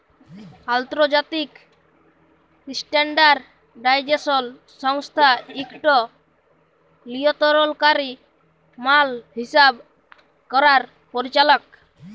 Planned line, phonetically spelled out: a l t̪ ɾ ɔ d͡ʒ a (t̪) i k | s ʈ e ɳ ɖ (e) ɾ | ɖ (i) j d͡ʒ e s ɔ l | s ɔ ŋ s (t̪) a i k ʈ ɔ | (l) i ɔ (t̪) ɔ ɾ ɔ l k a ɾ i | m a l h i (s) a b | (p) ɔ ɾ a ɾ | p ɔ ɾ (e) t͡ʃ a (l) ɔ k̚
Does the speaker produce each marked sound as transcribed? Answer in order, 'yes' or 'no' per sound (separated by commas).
yes, no, no, no, yes, yes, yes, no, no, yes